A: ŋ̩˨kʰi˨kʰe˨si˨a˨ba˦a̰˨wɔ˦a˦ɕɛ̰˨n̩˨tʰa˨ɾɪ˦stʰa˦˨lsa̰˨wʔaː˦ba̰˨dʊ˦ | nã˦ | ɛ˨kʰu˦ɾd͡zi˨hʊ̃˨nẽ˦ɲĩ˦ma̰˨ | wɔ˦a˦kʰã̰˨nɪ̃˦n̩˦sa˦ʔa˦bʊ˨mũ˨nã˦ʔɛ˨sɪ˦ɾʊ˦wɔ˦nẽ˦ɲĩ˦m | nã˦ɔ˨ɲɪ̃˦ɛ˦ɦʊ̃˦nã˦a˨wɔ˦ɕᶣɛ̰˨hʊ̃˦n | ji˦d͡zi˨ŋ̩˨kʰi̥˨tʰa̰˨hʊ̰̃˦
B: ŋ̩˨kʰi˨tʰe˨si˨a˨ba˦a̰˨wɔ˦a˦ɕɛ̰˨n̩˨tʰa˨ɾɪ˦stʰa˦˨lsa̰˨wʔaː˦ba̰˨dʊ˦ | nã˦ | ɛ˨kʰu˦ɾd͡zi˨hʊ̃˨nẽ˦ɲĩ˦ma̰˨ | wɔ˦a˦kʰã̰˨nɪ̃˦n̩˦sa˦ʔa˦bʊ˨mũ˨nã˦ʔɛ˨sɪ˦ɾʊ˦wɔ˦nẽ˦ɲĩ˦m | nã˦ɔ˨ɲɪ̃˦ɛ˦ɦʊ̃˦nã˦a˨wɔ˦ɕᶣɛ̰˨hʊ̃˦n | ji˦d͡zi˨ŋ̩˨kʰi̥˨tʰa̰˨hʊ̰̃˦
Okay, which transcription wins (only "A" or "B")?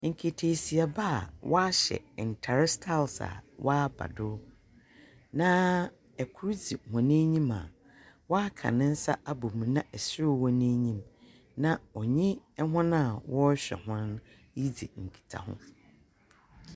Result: B